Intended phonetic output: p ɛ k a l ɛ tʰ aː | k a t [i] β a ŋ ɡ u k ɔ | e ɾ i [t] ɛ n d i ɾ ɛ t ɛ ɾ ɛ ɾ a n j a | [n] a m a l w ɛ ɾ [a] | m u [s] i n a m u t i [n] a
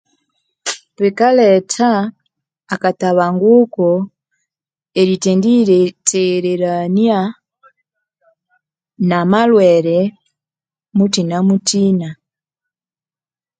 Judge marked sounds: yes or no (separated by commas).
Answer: no, yes, yes, no, no, yes